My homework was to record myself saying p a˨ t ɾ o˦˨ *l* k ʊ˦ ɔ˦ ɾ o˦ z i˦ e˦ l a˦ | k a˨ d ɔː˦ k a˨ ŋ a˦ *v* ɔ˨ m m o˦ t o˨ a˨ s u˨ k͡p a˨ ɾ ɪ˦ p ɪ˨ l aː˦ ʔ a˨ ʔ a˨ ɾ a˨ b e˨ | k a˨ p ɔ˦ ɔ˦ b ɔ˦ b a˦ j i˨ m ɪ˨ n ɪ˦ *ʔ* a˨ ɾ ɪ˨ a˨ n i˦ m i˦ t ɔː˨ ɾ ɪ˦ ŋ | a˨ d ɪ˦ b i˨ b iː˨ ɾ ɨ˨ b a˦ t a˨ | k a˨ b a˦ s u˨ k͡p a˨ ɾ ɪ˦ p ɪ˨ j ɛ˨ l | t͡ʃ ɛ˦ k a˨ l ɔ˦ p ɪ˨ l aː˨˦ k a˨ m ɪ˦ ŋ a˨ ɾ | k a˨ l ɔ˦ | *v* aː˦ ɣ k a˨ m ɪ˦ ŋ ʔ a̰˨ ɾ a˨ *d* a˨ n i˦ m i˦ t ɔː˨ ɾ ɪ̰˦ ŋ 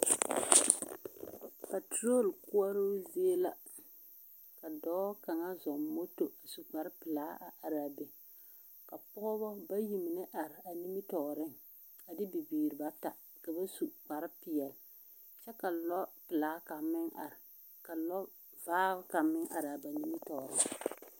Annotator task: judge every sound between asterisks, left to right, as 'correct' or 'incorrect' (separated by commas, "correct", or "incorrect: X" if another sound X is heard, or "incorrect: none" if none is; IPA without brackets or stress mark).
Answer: correct, incorrect: z, correct, correct, incorrect: b